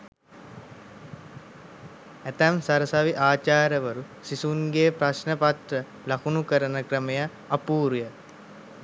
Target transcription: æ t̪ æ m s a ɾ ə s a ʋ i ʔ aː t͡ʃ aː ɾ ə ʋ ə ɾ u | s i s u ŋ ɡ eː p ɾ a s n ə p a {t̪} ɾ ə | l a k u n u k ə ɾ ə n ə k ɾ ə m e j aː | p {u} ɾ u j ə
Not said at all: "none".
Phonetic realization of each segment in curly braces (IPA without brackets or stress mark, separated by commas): t̪, uː